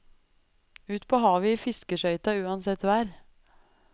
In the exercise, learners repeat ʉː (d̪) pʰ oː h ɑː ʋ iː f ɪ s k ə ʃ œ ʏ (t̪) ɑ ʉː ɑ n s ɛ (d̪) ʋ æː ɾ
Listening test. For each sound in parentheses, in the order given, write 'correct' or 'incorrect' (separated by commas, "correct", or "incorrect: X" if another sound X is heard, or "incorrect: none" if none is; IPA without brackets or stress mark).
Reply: incorrect: t̪, correct, incorrect: t̪